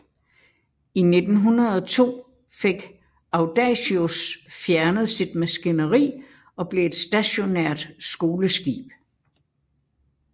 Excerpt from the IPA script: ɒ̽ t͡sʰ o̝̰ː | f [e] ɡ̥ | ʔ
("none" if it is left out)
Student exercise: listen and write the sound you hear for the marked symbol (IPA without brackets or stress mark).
e